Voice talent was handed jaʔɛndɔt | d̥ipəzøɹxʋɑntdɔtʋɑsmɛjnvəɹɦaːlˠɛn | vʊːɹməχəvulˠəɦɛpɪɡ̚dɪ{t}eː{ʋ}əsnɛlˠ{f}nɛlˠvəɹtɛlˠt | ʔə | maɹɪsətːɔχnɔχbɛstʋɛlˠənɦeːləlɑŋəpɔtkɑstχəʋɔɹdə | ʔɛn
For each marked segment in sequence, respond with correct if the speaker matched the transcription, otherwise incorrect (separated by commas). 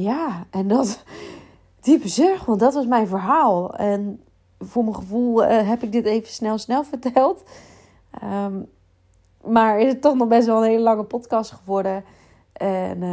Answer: correct, incorrect, incorrect